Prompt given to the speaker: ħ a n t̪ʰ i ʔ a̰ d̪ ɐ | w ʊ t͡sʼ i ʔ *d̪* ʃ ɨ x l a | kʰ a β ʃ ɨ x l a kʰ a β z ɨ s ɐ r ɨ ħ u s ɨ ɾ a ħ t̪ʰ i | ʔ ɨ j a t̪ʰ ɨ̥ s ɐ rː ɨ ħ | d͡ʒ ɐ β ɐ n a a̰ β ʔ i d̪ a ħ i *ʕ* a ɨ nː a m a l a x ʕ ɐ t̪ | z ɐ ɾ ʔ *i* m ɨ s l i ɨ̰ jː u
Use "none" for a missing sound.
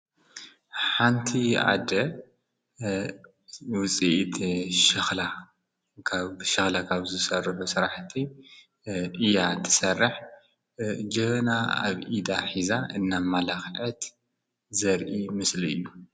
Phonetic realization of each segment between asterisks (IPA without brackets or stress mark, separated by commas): t̪, z, i